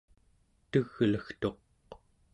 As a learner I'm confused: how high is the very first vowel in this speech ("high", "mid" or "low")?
mid